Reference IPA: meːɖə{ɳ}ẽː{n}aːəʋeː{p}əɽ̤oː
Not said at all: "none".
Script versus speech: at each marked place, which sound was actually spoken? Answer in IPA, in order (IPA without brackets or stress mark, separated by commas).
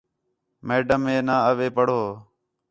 m, n, p